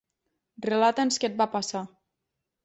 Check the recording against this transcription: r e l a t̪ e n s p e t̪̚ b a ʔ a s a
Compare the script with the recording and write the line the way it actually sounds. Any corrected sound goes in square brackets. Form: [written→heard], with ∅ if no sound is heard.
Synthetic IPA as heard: r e l a t̪ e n s [p→k] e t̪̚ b a [ʔ→p] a s a

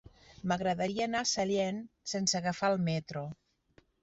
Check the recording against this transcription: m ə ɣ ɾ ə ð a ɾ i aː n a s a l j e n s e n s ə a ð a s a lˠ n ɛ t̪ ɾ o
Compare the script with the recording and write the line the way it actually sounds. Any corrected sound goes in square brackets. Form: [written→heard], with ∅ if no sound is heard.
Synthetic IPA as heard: m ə ɣ ɾ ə ð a ɾ i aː n a s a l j e n s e n s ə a [ð→ɣ] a [s→f] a lˠ [n→m] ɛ t̪ ɾ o

